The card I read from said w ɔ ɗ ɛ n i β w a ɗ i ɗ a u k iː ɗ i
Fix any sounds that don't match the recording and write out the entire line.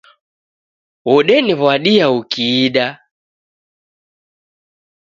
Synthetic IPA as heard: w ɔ ɗ ɛ n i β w a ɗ i a u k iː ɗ a